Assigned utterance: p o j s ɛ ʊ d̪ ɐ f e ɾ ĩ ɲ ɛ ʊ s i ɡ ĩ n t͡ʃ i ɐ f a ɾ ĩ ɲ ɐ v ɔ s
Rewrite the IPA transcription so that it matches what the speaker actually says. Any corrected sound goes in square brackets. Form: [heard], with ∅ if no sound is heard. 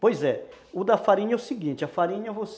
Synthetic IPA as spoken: p o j [z] ɛ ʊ d̪ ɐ f [a] ɾ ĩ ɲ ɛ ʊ s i ɡ ĩ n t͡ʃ [ɪ] ɐ f a ɾ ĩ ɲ ɐ v [o] s